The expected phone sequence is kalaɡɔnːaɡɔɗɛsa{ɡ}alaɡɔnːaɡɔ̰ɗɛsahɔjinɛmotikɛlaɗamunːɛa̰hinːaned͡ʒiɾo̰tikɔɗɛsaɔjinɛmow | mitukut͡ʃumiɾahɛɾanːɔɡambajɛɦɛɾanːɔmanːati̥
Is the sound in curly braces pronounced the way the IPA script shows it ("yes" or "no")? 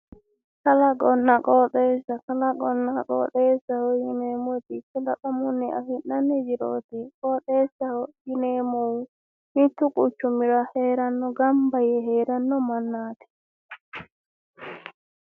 no